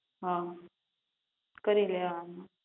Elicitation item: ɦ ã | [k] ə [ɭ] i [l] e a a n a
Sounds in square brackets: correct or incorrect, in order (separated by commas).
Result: correct, incorrect, correct